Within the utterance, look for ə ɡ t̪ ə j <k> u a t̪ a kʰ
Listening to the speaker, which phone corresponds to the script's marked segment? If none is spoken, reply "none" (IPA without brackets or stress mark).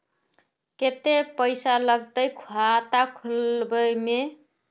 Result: kʰ